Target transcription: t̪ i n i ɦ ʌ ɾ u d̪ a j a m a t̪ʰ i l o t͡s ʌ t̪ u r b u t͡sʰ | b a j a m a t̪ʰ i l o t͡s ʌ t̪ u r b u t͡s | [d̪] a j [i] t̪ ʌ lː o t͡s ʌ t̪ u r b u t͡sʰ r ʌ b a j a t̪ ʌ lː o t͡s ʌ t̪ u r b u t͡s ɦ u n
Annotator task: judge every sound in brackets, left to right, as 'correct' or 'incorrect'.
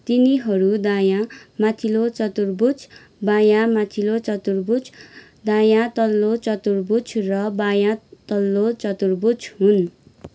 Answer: correct, incorrect

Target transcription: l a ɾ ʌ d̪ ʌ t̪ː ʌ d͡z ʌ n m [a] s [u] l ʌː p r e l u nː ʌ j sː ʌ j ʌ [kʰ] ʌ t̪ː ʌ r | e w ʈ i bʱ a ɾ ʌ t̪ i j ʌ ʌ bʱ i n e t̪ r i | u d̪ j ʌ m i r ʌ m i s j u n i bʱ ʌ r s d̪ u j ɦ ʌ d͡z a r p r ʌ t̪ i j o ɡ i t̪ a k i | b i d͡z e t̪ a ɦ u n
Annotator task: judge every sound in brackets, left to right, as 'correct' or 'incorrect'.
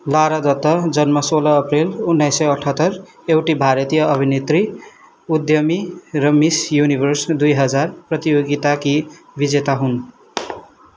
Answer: incorrect, incorrect, incorrect

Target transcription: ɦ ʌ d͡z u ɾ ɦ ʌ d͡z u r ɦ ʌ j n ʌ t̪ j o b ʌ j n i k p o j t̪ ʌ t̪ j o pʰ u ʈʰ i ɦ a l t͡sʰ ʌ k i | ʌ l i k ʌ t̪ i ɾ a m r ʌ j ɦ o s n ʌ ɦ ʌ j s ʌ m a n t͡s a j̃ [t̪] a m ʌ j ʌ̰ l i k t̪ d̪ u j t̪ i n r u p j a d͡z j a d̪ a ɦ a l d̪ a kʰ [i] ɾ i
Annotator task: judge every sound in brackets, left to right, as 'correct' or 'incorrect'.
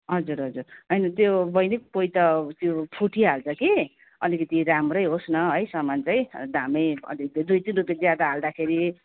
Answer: incorrect, incorrect

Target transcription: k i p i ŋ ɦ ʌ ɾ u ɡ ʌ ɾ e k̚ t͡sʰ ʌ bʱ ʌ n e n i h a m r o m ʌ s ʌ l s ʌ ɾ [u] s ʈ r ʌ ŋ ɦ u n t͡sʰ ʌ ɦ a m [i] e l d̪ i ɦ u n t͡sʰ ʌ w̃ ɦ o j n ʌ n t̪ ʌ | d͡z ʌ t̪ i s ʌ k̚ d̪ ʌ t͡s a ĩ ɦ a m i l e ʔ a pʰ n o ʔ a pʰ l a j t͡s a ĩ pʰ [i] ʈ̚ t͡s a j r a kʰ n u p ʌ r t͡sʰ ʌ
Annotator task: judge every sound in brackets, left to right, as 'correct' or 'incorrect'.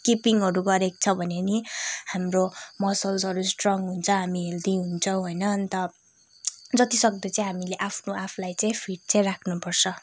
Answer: correct, correct, correct

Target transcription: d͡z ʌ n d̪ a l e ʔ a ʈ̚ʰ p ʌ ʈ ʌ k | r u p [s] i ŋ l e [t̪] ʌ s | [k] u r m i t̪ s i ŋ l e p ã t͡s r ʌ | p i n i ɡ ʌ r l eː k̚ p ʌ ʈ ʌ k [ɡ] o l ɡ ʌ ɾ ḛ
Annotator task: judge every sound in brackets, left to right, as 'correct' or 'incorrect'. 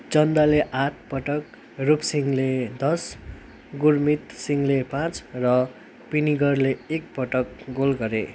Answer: correct, incorrect, incorrect, correct

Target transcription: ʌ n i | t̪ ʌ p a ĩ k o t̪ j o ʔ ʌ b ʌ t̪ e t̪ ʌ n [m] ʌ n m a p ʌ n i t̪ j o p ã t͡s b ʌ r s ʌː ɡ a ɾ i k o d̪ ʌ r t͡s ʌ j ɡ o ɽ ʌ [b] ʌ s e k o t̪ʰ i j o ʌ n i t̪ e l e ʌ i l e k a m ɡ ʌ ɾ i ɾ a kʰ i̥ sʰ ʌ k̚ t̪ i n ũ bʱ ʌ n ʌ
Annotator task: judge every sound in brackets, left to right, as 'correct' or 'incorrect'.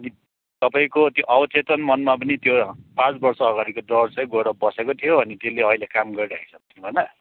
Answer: correct, correct

